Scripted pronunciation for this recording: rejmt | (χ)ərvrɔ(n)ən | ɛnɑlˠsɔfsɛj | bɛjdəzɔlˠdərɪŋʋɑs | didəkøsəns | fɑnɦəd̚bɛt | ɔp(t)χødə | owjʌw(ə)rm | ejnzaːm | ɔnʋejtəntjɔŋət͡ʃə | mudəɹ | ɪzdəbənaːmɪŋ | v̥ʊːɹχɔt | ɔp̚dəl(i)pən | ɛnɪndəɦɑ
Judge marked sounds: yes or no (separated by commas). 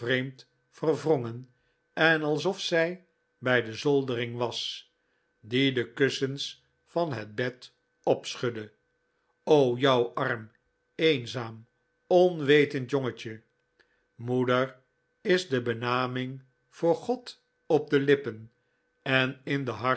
no, no, no, no, no